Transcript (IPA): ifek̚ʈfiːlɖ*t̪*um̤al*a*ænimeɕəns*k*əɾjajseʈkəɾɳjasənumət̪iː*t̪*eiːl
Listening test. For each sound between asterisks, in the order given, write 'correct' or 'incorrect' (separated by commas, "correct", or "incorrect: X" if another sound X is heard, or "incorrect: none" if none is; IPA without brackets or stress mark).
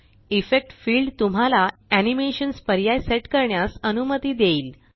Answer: correct, correct, incorrect: p, incorrect: d̪